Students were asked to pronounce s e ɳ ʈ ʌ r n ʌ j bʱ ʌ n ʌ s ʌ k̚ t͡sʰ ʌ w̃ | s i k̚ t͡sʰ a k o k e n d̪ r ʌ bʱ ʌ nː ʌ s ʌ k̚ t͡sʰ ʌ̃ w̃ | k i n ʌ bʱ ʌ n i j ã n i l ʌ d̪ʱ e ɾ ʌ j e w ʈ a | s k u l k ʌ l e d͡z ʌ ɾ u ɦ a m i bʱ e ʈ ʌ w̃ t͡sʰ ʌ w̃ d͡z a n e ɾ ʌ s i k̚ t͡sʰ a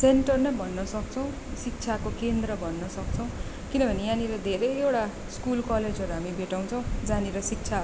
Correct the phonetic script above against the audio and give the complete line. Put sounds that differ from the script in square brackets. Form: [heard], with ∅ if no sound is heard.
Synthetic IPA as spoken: s e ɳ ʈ ʌ r n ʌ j bʱ ʌ [nː] ʌ s ʌ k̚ t͡sʰ ʌ w̃ | s i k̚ t͡sʰ a k o k e n d̪ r ʌ bʱ ʌ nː ʌ s ʌ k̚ t͡sʰ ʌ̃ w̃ | k i n ʌ bʱ ʌ n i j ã n i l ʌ d̪ʱ e ɾ ʌ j e w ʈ a | s k u l k ʌ l e d͡z ʌ ɾ u ɦ a m i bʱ e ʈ [a] w̃ t͡sʰ ʌ w̃ d͡z a n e ɾ ʌ s i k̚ t͡sʰ a